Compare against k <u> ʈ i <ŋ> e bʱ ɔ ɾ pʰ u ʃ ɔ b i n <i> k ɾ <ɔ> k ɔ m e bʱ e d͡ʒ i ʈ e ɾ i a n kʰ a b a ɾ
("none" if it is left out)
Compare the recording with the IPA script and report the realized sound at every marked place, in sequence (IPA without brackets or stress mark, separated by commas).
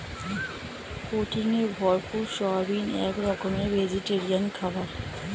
o, ŋ, ɛ, ɔ